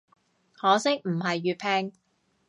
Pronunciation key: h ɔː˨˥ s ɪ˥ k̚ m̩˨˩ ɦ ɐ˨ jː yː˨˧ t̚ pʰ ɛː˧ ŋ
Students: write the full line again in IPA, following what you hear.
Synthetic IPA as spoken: h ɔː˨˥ s ɪ˥ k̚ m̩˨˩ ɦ ɐ˨ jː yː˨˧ t̚ pʰ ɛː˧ ŋ